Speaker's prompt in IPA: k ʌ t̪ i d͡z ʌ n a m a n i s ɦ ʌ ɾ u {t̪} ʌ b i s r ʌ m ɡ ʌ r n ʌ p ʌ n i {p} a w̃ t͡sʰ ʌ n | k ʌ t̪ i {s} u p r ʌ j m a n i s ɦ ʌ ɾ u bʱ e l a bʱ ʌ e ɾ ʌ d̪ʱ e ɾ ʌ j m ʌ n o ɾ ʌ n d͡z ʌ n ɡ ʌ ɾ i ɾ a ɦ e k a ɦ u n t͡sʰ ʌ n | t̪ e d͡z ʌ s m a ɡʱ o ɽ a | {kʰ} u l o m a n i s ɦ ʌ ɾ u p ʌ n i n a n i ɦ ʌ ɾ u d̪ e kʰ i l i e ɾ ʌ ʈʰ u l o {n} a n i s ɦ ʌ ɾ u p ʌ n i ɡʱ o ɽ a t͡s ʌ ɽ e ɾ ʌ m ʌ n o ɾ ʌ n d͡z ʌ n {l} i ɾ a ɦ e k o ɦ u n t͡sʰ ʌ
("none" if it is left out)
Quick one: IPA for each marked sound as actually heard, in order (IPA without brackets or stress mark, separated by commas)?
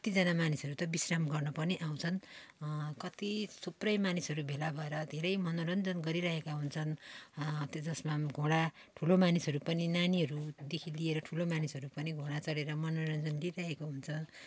t̪, ʔ, s, ʈʰ, m, l